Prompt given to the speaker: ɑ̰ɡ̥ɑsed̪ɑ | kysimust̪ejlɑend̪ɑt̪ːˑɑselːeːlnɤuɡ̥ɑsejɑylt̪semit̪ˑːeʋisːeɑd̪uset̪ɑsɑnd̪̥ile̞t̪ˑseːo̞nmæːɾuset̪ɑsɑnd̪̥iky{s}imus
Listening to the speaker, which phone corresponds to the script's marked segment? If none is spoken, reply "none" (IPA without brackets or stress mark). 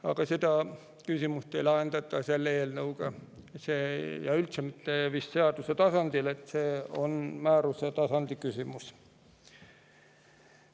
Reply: s